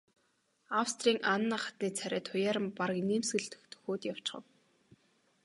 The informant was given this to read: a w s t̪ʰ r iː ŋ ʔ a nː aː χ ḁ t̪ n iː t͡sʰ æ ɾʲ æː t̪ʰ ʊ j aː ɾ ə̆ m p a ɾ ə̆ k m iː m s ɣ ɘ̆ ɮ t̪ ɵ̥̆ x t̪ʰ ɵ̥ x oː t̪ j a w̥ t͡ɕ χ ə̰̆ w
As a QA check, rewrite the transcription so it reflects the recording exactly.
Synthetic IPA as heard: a w s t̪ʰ r iː ŋ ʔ a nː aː χ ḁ t̪ n iː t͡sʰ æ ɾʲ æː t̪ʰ ʊ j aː ɾ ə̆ m p a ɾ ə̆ k n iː m s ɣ ɘ̆ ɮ t̪ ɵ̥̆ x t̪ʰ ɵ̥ x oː t̪ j a w̥ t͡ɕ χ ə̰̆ w